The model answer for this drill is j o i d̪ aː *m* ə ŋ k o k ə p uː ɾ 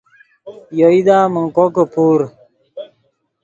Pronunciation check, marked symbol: correct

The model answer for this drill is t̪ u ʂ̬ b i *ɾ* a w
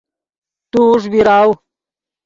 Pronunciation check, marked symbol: correct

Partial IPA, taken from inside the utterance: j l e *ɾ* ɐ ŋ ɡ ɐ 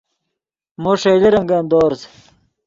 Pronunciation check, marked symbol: correct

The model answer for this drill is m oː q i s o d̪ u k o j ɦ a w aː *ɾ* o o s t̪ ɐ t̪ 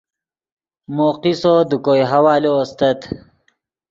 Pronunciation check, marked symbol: incorrect: l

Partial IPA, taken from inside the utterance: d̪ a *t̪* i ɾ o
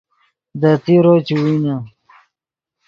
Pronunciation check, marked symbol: correct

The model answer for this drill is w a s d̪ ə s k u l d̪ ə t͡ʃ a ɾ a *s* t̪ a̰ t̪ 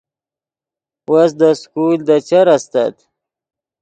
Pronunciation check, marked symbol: correct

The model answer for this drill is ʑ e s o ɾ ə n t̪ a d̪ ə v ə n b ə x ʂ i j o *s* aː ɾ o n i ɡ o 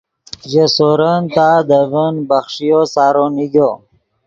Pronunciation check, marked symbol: correct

